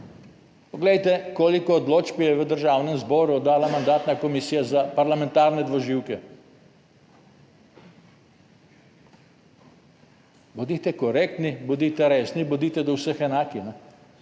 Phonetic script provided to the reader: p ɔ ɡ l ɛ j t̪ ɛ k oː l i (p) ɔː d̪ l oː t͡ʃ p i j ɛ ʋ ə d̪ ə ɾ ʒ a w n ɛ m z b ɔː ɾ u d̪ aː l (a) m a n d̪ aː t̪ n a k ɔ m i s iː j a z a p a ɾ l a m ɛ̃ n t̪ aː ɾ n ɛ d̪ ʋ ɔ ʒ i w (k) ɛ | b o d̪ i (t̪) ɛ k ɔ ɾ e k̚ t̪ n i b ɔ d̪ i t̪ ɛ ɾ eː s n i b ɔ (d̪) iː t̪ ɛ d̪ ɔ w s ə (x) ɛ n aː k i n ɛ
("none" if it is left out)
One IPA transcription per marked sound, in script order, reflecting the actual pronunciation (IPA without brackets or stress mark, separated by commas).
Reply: k, a, k, t̪, d̪, x